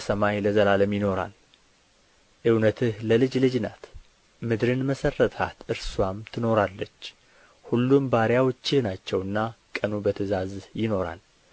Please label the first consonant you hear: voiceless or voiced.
voiceless